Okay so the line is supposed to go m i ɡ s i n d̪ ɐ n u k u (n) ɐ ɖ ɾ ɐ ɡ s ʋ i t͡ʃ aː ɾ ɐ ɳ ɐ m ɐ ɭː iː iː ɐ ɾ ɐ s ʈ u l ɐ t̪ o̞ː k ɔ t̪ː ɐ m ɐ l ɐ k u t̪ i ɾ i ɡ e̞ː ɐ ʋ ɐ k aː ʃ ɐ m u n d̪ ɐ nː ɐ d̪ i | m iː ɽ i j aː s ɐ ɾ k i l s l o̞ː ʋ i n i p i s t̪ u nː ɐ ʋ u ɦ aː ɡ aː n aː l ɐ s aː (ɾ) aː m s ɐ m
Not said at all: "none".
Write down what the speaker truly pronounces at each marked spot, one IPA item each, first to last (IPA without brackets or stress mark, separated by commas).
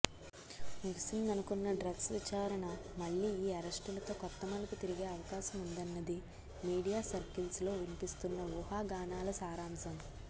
nː, ɾ